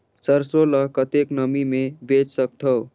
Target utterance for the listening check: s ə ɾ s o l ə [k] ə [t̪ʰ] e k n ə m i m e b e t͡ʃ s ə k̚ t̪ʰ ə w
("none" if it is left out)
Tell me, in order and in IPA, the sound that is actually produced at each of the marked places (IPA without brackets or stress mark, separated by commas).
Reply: k, t̪